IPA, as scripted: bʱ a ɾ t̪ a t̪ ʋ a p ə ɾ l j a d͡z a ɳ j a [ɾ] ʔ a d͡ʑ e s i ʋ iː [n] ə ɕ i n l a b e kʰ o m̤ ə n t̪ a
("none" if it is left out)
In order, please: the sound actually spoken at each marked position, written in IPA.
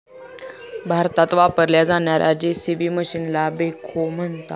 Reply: ɾ, m

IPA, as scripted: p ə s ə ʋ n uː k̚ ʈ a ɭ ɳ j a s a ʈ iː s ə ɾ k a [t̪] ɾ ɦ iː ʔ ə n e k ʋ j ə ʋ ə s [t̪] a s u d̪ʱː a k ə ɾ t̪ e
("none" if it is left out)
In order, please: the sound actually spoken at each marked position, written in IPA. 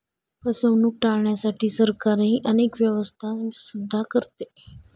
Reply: none, t̪ʰ

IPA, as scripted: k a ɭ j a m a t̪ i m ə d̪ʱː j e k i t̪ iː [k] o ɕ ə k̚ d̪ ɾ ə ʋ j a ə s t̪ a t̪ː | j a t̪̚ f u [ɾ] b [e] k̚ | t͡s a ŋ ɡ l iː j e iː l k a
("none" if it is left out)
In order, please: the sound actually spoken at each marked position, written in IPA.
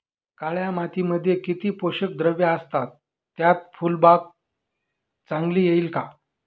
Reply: p, l, a

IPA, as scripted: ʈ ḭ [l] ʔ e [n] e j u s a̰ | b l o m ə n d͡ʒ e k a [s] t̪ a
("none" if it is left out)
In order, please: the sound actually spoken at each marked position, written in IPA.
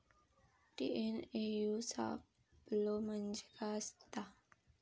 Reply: none, n, s

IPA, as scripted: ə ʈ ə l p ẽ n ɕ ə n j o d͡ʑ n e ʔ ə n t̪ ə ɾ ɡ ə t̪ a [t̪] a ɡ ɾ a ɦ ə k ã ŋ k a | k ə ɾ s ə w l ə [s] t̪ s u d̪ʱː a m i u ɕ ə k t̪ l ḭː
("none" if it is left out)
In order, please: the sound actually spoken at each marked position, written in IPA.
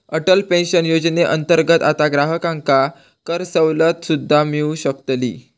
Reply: t̪, none

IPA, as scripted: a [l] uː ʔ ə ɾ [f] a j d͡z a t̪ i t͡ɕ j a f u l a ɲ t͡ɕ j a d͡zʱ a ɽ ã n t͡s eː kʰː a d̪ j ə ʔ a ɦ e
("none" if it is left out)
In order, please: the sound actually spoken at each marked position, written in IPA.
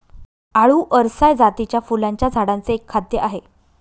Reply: ɭ, s

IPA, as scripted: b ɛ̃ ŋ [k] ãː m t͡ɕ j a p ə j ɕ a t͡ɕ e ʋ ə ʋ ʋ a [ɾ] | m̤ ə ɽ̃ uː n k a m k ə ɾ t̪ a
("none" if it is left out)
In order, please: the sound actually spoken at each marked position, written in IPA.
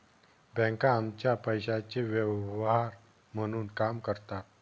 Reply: k, ɾ

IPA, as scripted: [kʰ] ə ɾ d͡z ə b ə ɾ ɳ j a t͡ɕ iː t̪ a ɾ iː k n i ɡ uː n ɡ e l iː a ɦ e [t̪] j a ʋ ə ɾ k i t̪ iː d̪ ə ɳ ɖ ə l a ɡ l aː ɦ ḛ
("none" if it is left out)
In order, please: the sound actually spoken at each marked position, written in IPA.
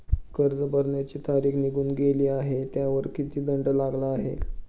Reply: k, t̪

